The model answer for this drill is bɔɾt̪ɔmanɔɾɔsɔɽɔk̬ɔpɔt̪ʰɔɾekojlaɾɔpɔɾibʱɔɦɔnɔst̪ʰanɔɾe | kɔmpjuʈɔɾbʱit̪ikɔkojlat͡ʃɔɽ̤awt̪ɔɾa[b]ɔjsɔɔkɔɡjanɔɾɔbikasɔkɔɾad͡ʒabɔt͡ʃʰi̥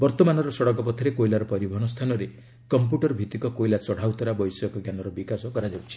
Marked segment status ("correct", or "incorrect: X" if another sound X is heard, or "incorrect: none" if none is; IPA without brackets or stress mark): correct